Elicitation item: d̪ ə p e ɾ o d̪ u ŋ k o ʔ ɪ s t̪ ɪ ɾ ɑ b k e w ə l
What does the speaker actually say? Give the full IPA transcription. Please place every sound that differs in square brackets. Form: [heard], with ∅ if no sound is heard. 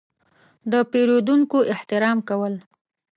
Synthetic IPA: d̪ ə p e ɾ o d̪ u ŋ k o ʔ ɪ [h] t̪ ɪ ɾ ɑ [m] k [a] w ə l